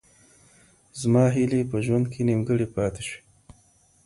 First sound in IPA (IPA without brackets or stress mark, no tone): z